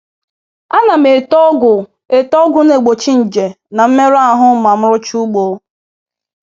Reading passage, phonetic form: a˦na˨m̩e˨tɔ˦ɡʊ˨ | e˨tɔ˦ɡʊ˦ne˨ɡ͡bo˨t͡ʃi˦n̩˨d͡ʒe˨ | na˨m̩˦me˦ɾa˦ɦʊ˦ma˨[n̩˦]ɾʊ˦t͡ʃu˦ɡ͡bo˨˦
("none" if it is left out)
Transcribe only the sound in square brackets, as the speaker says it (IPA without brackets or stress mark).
m̩˦